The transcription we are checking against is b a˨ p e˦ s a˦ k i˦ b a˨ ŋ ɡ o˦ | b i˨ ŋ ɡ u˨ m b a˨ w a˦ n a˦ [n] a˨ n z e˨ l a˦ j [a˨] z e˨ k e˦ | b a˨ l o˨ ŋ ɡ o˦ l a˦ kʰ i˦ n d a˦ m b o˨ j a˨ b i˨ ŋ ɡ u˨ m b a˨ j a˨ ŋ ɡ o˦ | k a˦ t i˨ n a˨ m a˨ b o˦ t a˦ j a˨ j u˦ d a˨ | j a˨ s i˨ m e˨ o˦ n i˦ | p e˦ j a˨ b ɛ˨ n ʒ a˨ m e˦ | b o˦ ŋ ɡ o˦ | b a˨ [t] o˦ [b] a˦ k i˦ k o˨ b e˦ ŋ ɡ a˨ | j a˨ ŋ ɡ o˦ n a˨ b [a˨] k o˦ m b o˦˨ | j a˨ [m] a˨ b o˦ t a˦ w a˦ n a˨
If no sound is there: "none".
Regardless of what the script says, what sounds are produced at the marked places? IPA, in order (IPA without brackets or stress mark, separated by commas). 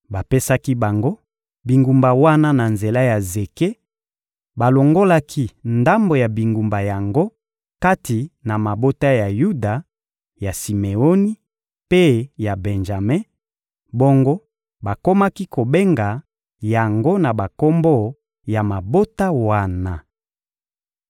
n, a˨, k, m, a˨, m